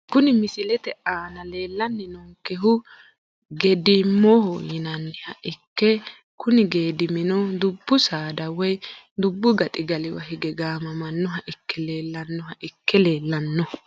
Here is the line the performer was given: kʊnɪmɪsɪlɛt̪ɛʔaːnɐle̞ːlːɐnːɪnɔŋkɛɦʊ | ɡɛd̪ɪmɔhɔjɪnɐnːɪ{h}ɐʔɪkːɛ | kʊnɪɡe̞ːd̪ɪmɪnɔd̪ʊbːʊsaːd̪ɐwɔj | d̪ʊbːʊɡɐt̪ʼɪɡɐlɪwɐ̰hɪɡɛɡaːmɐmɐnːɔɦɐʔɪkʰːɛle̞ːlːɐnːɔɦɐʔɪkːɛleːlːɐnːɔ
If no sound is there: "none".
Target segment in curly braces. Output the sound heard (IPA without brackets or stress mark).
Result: h